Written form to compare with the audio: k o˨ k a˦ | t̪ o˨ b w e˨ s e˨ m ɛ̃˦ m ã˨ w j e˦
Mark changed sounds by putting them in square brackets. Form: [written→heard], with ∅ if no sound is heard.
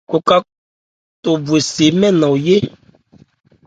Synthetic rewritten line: k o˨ k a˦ | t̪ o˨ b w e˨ s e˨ m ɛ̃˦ [m→n] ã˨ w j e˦